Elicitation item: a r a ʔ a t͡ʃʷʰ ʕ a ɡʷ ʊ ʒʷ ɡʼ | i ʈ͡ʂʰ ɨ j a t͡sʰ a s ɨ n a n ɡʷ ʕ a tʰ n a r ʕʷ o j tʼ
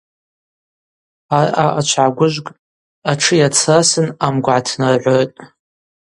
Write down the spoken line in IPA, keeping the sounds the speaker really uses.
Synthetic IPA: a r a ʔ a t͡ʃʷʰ ʕ a ɡʷ ʊ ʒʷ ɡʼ | a ʈ͡ʂʰ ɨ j a t͡sʰ a s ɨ n a m ɡʷ ʕ a tʰ n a r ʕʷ o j tʼ